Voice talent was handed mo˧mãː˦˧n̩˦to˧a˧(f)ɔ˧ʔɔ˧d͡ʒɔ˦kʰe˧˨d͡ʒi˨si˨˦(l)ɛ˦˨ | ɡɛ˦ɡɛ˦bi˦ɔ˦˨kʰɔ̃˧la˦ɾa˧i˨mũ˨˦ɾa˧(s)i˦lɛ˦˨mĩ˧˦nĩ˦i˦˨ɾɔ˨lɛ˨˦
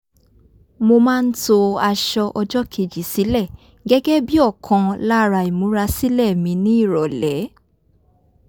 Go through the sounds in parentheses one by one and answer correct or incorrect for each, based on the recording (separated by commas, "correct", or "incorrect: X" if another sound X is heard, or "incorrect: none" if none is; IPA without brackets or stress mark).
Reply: incorrect: ʃ, correct, correct